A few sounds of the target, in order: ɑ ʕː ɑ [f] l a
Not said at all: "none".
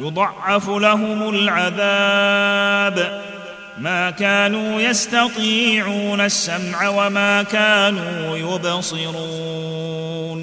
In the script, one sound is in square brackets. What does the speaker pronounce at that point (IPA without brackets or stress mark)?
f